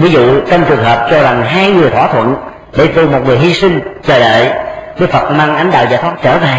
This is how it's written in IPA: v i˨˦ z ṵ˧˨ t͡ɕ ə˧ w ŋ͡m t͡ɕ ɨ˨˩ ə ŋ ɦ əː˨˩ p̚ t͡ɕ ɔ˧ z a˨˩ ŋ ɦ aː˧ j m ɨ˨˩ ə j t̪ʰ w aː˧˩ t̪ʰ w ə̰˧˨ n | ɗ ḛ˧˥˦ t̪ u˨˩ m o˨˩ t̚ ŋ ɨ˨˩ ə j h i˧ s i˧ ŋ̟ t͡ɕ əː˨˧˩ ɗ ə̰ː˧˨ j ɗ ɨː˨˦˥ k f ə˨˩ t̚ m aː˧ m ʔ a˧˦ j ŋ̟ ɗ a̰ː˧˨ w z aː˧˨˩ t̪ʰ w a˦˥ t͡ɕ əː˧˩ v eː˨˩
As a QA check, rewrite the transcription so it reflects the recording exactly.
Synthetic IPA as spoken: v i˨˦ z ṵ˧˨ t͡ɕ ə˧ w ŋ͡m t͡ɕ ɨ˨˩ ə ŋ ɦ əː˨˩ p̚ t͡ɕ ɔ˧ z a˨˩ ŋ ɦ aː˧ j ŋ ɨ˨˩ ə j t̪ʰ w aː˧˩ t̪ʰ w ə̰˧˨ n | ɗ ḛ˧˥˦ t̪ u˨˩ m o˨˩ t̚ ŋ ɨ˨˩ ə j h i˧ s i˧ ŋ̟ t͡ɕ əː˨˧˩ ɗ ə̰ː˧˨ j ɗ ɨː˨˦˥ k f ə˨˩ t̚ m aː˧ ŋ ʔ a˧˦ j ŋ̟ ɗ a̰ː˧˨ w z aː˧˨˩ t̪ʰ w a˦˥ t͡ɕ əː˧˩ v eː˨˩